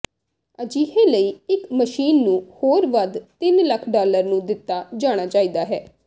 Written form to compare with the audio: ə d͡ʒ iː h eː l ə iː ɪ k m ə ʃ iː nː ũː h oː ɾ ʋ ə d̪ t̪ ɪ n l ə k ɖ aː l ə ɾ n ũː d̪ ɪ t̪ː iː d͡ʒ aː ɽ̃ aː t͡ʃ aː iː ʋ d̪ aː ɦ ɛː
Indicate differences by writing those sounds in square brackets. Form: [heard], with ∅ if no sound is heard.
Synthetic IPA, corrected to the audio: ə d͡ʒ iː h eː l ə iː ɪ k m ə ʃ iː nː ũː h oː ɾ ʋ ə d̪ t̪ ɪ n l ə [kʰ] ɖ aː l ə ɾ n ũː d̪ ɪ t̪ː [aː] d͡ʒ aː ɽ̃ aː t͡ʃ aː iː [∅] d̪ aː ɦ ɛː